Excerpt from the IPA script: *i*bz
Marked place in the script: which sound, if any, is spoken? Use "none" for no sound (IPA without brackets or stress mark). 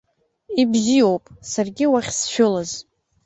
i